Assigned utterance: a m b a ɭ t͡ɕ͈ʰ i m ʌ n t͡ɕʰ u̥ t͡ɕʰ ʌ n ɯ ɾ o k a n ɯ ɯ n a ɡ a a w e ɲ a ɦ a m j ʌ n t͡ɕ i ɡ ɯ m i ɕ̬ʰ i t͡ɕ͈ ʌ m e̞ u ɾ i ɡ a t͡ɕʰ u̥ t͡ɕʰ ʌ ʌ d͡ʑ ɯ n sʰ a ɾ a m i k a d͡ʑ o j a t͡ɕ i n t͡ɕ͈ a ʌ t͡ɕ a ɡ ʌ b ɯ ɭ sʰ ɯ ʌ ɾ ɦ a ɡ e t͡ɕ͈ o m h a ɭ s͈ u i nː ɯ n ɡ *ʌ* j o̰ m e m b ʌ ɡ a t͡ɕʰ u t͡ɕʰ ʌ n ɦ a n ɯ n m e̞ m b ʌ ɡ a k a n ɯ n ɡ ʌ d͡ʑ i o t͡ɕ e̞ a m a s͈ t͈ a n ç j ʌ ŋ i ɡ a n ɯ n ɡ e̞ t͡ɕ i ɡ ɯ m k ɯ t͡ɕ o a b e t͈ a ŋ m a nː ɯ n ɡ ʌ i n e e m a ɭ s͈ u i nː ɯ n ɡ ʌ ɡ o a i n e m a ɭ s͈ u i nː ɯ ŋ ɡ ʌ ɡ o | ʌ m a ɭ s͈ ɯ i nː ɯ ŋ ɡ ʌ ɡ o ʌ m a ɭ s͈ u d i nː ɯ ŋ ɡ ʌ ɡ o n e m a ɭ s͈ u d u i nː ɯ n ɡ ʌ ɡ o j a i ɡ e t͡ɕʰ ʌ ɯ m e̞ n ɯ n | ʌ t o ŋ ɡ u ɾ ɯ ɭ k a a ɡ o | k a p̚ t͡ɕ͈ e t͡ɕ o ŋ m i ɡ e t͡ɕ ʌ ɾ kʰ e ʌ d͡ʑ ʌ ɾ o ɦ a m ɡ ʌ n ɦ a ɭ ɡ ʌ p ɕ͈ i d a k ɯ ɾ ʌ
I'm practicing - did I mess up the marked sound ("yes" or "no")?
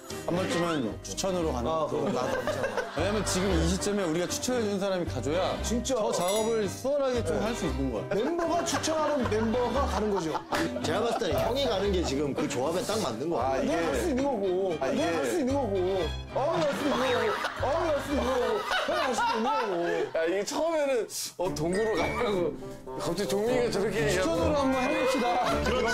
no